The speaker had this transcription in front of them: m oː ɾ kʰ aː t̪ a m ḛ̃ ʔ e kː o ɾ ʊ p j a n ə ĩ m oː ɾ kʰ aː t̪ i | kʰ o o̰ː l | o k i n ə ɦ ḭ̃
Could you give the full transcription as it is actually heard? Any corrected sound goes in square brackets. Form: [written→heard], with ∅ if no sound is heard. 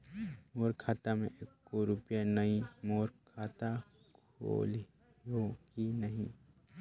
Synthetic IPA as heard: m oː ɾ kʰ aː t̪ a m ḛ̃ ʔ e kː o ɾ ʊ p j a n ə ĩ m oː ɾ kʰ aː t̪ [i→a] | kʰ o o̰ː l | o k i n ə ɦ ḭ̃